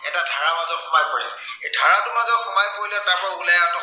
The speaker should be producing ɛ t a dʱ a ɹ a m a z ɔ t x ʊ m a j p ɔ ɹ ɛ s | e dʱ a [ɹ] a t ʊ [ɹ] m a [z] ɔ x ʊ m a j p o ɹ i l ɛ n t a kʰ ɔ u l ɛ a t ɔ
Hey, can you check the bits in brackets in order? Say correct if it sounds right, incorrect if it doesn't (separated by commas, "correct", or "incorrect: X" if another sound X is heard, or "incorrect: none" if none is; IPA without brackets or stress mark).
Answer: correct, incorrect: none, correct